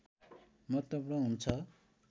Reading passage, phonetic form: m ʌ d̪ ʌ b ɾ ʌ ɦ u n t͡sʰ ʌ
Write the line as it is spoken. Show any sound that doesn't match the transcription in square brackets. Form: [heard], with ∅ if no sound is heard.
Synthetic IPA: m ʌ [t̪] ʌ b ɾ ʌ ɦ u n t͡sʰ ʌ